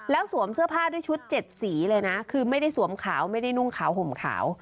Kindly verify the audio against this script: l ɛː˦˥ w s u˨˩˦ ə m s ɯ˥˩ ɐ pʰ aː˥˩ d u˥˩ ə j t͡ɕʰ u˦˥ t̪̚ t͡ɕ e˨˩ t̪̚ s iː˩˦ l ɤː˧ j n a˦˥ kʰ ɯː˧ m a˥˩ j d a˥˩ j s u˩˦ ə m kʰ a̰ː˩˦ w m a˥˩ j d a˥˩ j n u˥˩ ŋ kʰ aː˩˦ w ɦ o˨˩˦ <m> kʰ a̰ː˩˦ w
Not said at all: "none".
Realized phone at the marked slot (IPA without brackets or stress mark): m